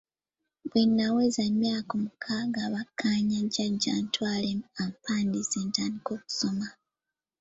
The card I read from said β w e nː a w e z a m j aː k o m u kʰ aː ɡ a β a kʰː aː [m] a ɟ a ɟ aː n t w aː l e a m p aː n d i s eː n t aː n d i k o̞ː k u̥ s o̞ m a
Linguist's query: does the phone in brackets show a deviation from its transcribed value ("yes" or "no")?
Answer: yes